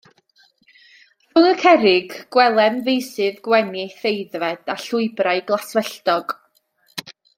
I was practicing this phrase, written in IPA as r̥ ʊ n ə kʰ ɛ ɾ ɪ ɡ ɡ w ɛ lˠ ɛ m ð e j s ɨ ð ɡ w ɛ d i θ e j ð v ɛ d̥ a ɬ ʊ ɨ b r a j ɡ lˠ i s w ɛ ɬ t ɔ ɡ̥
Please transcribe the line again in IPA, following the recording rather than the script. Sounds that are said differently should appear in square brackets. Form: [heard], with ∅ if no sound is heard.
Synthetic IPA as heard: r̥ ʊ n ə kʰ ɛ ɾ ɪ ɡ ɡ w ɛ lˠ ɛ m [v] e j s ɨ ð ɡ w ɛ [n] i θ e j ð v ɛ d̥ a ɬ ʊ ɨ b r a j ɡ lˠ [a] s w ɛ ɬ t ɔ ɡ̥